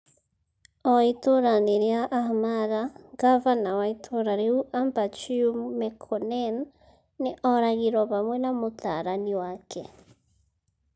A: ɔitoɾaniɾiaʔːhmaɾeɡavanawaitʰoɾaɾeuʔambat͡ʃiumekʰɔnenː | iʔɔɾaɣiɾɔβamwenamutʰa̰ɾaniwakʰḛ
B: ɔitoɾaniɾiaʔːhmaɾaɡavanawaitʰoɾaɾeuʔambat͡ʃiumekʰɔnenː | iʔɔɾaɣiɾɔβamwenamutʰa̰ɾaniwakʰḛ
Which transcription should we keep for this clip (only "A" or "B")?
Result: B